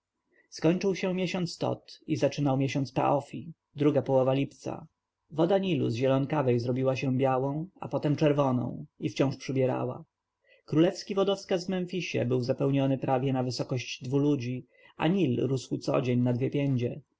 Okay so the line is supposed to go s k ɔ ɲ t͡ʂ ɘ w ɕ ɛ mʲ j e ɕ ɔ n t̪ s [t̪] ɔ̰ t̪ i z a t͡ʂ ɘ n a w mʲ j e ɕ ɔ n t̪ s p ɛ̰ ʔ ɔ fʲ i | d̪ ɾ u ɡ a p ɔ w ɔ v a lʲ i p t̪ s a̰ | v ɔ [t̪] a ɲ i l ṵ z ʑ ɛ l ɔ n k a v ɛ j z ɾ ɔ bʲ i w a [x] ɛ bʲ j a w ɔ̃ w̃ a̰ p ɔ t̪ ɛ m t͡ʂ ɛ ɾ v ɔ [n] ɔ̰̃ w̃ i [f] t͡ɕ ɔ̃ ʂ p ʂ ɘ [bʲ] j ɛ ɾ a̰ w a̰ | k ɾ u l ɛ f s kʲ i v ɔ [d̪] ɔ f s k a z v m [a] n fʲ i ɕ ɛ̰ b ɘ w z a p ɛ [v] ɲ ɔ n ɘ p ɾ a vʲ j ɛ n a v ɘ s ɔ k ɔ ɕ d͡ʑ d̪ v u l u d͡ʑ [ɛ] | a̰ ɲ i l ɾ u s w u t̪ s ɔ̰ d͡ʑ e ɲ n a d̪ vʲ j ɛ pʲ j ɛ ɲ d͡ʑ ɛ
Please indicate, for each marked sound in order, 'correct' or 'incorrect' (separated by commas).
correct, incorrect, incorrect, correct, correct, correct, correct, incorrect, incorrect, incorrect